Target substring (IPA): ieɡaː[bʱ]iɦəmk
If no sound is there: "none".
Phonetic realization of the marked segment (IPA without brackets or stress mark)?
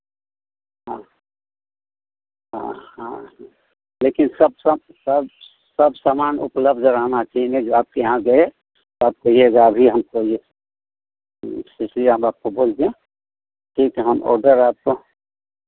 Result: bʱ